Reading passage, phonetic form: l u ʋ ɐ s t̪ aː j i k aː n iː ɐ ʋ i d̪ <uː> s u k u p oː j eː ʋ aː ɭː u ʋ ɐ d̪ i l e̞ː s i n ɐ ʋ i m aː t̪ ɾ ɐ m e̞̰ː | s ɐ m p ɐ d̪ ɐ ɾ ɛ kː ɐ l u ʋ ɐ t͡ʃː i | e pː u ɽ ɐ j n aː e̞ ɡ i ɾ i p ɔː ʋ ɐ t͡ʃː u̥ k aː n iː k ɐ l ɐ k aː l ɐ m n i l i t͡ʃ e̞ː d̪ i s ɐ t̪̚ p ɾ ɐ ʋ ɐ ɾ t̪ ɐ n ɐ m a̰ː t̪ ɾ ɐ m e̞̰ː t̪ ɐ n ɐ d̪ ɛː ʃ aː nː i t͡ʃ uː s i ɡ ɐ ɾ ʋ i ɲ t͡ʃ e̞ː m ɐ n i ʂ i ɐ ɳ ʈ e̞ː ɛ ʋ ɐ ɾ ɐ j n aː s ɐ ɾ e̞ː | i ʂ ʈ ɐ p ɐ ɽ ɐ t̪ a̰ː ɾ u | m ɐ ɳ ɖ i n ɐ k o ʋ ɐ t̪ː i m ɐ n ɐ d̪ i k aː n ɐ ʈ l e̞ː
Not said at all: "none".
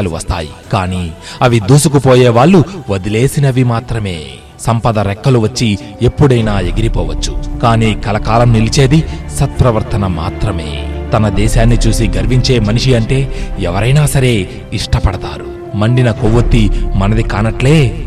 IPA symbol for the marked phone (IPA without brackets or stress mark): uː